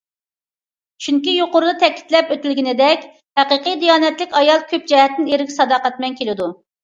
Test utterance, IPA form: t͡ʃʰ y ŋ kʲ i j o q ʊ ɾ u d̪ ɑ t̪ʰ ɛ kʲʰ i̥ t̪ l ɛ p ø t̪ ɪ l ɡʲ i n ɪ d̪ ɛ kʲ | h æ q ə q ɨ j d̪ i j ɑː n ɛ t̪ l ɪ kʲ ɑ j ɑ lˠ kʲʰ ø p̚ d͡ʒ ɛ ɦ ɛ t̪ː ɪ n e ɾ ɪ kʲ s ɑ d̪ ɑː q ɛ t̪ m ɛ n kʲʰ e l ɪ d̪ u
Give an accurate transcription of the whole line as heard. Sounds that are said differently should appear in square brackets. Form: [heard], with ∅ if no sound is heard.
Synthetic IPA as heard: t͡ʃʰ y ŋ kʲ i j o q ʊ ɾ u d̪ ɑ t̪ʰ ɛ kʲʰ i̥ t̪ l ɛ p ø t̪ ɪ l ɡʲ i n ɪ d̪ ɛ kʲ | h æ q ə q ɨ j d̪ i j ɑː n ɛ t̪ l ɪ kʲ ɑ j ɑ lˠ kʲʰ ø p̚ d͡ʒ ɛ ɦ ɛ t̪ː ɪ n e ɾ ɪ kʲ s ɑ d̪ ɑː q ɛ t̪ m ɛ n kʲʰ e l ɪ d̪ u